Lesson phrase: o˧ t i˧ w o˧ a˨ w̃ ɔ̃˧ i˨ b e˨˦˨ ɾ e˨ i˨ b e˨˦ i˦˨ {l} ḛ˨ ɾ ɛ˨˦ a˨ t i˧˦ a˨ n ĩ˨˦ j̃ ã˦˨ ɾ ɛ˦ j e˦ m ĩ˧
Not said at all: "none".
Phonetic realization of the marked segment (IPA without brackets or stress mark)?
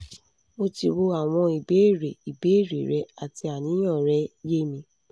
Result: ɾ